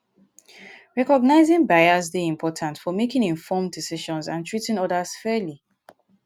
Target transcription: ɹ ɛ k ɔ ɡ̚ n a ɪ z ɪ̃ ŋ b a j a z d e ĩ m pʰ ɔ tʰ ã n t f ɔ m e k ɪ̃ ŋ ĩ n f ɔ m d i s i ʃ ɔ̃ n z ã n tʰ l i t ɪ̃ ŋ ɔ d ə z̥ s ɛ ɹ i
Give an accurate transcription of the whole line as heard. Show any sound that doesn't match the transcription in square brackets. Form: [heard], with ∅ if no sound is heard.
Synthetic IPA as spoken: ɹ ɛ k ɔ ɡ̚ n a ɪ z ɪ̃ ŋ b a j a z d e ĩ m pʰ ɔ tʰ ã n t f ɔ m e k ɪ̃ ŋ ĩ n f ɔ m d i s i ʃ ɔ̃ n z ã n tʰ [ɹ] i t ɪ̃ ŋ ɔ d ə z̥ [f] ɛ [l] i